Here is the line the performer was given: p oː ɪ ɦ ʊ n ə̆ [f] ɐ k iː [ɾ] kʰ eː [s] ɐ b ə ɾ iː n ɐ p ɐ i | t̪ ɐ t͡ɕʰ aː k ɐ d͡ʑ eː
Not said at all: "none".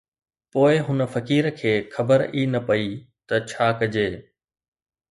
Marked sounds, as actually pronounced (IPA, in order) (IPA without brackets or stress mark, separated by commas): f, ɾ, x